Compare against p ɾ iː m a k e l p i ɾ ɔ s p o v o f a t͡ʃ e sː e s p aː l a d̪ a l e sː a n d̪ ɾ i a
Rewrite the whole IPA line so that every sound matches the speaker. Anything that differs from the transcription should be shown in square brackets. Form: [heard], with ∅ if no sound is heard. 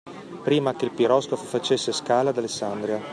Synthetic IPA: p ɾ iː m a k e l p i ɾ ɔ s [k] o [f] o f a t͡ʃ e sː e s [k] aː l a d̪ a l e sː a n d̪ ɾ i a